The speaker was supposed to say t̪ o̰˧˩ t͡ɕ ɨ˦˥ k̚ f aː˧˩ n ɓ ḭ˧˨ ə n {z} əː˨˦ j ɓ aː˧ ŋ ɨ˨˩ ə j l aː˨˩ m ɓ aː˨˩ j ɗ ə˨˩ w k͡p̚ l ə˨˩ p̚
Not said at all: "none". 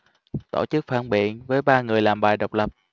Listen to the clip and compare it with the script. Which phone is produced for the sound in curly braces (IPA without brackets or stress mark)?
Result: v